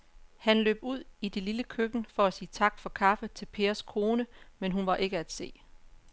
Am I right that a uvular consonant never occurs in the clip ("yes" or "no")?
yes